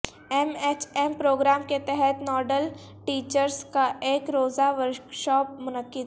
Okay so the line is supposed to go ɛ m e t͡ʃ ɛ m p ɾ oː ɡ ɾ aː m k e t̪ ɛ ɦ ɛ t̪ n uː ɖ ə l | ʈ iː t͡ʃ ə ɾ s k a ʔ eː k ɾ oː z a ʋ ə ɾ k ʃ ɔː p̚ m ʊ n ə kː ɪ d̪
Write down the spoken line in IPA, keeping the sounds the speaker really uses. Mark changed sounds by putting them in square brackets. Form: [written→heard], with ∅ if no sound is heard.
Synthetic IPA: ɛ m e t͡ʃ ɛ m p ɾ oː ɡ ɾ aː m k e t̪ ɛ ɦ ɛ t̪ n [uː→ɔː] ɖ ə l | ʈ iː t͡ʃ ə ɾ s k a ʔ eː k ɾ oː z a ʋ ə ɾ k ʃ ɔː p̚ m ʊ n ə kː ɪ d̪